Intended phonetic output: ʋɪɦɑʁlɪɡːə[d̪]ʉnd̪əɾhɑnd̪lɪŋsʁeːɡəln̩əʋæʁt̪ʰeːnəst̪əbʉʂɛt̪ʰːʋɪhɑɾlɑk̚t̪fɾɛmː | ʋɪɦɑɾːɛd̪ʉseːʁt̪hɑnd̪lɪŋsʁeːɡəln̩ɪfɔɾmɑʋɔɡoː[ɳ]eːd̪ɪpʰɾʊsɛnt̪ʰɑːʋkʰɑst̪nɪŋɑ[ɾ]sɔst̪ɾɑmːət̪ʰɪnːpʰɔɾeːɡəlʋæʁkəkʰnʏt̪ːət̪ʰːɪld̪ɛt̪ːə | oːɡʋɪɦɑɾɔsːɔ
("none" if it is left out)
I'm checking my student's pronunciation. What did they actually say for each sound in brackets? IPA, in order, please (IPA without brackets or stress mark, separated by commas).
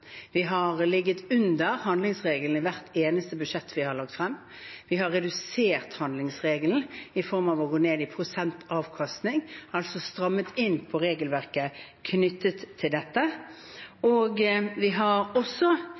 t̪, n, l